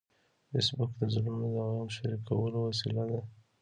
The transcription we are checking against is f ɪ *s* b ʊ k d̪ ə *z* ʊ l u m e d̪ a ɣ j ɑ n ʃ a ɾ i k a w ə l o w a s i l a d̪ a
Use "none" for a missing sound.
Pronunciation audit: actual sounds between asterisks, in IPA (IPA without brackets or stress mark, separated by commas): s, z